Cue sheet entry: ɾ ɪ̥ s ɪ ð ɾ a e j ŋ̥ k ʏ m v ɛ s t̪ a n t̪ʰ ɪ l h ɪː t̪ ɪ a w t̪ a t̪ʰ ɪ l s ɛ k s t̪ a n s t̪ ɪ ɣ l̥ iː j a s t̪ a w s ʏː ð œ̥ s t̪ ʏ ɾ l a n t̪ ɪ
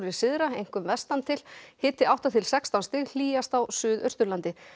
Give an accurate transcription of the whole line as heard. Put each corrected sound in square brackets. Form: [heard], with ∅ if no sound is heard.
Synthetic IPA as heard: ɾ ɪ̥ s ɪ ð ɾ a e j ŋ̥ k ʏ m v ɛ s t̪ a n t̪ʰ ɪ l h ɪː t̪ ɪ a w t̪ a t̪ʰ ɪ l s ɛ k s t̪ a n s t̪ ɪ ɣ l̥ iː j a s t̪ a w s ʏː ð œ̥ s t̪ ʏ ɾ l a n t̪ ɪ

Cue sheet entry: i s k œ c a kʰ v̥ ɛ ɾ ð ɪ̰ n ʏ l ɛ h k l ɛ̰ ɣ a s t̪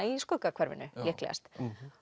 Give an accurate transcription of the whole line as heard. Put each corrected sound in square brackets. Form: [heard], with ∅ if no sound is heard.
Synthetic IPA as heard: i s k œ [k] a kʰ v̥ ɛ ɾ [v] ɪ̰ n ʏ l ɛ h k l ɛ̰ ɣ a s t̪

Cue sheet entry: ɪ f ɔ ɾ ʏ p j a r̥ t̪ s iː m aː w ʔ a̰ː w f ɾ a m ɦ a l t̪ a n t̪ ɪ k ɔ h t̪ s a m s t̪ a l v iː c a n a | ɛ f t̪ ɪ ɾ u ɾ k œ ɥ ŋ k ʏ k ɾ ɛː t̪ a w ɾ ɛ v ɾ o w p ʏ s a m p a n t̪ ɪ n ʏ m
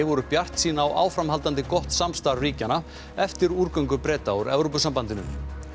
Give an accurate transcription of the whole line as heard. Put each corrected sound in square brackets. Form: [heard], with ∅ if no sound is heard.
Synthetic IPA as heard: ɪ [v] ɔ ɾ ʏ p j a r̥ t̪ s iː [n] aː w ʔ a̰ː w f ɾ a m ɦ a l t̪ a n t̪ ɪ k ɔ h t̪ s a m s t̪ a [ɾ] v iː c a n a | ɛ f t̪ ɪ ɾ u ɾ k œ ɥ ŋ k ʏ [p] ɾ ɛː t̪ a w ɾ ɛ v ɾ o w p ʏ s a m p a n t̪ ɪ n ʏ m

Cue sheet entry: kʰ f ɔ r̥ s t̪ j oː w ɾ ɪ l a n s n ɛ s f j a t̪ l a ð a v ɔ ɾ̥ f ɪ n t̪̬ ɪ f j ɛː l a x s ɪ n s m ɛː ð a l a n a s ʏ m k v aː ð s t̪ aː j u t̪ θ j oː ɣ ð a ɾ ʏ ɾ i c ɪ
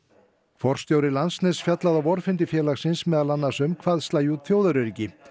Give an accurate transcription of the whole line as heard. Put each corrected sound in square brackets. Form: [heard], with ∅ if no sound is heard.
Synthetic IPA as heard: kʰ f ɔ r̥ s t̪ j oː w ɾ ɪ l a n s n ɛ s f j a t̪ l a ð a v ɔ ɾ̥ f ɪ n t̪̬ ɪ f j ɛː l a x s ɪ n s m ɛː ð a l a [nː] a s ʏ m [kʰ] v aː ð s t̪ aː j u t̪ θ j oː [w] ð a ɾ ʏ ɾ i c ɪ

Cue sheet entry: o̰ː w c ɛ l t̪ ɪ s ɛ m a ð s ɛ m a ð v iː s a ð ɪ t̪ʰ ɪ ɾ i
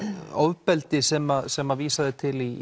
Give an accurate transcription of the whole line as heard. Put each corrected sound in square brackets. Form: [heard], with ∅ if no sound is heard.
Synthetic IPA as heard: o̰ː w [p] ɛ l t̪ ɪ s ɛ m a ð s ɛ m a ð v iː s a ð ɪ t̪ʰ ɪ [l] i

